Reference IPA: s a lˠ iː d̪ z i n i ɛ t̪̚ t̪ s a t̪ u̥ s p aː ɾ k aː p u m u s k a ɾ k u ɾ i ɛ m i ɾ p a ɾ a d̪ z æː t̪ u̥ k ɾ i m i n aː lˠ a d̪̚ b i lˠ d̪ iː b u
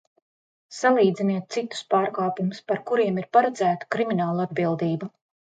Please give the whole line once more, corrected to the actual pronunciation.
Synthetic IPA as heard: s a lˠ iː d̪ z i n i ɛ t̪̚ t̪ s i t̪ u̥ s p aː ɾ k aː p u m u s p a ɾ k u ɾ i ɛ m i ɾ p a ɾ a d̪ z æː t̪ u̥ k ɾ i m i n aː lˠ a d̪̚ b i lˠ d̪ iː b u